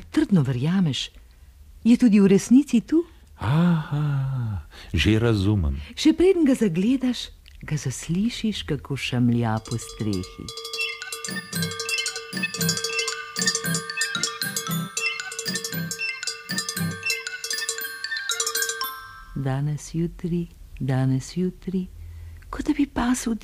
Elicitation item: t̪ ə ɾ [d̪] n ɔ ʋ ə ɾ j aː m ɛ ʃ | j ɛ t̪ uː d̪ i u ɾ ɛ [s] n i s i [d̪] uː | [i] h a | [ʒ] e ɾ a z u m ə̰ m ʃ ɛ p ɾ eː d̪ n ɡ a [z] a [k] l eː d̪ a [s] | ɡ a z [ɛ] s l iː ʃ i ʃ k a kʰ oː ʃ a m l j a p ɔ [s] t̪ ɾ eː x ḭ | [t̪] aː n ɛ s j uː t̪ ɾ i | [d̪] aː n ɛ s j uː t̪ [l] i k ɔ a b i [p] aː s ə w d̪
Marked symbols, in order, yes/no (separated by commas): yes, yes, no, no, yes, yes, no, no, no, yes, no, yes, no, yes